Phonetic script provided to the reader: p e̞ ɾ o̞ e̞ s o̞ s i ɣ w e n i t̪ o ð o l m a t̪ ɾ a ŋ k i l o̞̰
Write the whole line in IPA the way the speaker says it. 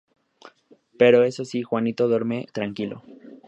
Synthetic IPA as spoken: p e̞ ɾ o̞ e̞ s o̞ s i x w a n i t̪ o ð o ɾ m e t̪ ɾ a ŋ k i l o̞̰